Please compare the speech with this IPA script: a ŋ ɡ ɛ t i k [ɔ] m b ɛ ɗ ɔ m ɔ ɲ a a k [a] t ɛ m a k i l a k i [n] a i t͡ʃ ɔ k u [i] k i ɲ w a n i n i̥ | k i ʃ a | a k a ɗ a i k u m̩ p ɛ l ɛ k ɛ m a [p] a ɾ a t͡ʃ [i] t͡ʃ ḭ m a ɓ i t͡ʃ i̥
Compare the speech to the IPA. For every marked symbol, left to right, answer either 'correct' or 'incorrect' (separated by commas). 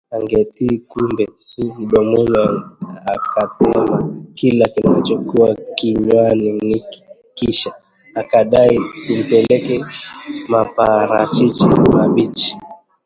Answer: incorrect, correct, correct, incorrect, correct, correct